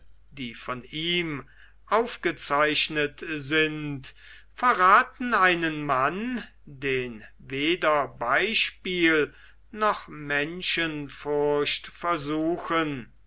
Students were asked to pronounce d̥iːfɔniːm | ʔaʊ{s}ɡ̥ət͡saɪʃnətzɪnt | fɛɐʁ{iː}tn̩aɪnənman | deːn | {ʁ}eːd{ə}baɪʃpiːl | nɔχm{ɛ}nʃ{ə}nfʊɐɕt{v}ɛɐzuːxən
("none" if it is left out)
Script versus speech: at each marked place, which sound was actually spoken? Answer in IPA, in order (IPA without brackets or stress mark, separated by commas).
f, aː, v, ɐ, ɛ, ə, f